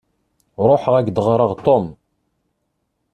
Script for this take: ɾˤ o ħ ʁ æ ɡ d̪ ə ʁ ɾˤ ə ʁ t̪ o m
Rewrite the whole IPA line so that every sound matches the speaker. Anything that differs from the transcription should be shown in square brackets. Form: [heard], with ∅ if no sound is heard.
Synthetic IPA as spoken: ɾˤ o ħ ʁ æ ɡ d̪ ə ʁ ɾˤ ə ʁ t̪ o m